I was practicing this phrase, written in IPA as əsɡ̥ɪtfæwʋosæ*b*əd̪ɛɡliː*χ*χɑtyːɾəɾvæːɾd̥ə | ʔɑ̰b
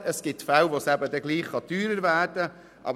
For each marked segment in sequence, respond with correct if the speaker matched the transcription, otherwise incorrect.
correct, correct

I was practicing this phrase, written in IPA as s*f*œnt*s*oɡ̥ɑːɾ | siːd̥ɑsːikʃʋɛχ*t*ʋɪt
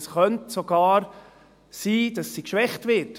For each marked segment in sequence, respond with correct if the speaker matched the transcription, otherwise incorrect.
incorrect: χ, correct, correct

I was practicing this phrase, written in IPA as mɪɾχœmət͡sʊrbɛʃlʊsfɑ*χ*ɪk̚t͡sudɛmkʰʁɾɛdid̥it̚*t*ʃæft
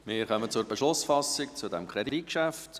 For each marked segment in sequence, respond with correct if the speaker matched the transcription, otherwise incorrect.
incorrect: s, incorrect: k

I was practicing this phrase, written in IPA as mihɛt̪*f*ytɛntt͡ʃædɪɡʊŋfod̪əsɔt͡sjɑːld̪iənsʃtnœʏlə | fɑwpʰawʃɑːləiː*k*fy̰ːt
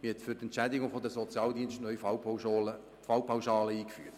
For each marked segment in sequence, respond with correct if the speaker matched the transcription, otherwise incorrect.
correct, correct

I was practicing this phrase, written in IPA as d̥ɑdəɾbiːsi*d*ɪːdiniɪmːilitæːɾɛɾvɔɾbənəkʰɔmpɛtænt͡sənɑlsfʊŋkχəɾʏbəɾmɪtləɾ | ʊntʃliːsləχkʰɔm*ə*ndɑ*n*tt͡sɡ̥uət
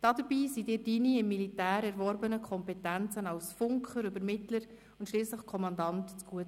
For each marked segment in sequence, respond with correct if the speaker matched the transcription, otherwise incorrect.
correct, incorrect: ɑ, correct

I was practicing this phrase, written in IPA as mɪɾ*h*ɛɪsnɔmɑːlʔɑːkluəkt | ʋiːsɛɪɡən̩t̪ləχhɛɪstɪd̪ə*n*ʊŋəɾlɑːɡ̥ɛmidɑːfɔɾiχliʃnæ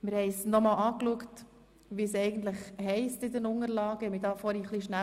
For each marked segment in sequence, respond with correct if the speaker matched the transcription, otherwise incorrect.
correct, correct

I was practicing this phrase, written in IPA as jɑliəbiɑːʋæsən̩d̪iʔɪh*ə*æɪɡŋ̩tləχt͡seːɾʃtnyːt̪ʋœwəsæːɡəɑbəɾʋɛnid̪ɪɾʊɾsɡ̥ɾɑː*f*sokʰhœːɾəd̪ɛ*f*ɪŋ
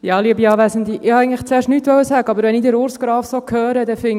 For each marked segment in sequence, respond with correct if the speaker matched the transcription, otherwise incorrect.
incorrect: ɑ, correct, correct

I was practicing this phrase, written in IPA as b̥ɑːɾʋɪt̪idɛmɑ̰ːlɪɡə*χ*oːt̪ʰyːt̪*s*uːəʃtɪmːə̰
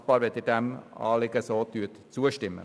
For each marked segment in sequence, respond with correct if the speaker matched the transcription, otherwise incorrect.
incorrect: s, incorrect: t͡s

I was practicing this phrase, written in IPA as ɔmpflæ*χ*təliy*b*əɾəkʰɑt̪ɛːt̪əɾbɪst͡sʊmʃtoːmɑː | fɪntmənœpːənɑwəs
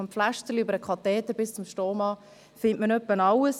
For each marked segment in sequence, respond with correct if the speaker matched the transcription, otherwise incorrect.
incorrect: ʃ, correct

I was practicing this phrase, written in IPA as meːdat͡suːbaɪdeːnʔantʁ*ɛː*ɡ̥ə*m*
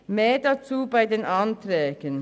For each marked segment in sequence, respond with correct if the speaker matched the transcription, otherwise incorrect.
correct, incorrect: n

